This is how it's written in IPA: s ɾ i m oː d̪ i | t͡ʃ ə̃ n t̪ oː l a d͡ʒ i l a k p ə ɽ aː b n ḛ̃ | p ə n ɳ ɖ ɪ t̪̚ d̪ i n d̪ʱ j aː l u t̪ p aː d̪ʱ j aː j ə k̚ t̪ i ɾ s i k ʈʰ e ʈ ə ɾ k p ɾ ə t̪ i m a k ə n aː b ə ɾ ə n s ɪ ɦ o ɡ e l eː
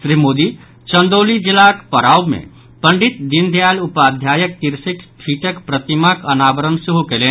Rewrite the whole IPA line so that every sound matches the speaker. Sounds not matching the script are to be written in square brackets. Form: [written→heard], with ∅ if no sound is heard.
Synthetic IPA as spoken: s ɾ i m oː d̪ i | t͡ʃ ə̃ n [t̪→d̪] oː l [a→i] d͡ʒ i l a k p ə [ɽ→ɾ] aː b [n→m] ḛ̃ | p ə [n→∅] ɳ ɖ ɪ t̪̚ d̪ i n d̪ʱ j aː l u [t̪→∅] p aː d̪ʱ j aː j ə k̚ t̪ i ɾ s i k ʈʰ [e→i] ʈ ə [ɾ→∅] k p ɾ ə t̪ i m a k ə n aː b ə ɾ ə n s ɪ ɦ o [ɡ→k] e l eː